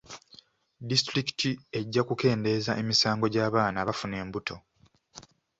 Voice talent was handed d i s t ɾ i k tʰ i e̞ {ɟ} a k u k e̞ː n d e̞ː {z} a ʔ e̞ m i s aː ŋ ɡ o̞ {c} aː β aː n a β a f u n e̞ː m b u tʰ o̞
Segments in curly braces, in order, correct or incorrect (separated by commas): incorrect, correct, incorrect